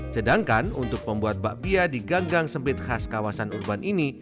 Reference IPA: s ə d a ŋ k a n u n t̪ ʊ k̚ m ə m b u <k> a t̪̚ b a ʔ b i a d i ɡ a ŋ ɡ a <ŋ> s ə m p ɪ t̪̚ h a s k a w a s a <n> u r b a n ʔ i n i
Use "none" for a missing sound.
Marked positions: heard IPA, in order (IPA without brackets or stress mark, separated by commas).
none, ŋ, n